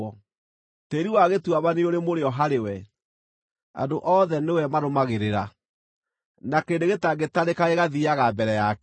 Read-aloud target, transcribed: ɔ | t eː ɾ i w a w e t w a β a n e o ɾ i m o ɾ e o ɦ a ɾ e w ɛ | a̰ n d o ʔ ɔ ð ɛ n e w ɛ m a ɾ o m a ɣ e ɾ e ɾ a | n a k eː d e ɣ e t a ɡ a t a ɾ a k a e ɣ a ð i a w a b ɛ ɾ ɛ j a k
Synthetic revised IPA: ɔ | t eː ɾ i w a ɣ e t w a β a n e o ɾ e m o ɾ e ɔ ɦ a ɾ e w ɛ | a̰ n d o ʔ ɔ ð ɛ n e w ɛ m a ɾ o m a ɣ e ɾ e ɾ a | n a k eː d e ɣ e t a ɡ e t a ɾ e k a e ɣ a ð i a ɣ a b ɛ ɾ ɛ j a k